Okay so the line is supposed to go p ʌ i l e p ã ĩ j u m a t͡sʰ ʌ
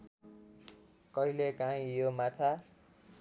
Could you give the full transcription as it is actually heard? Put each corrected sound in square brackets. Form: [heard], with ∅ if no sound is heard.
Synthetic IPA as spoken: [k] ʌ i l e [k] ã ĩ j [o] m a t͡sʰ [a]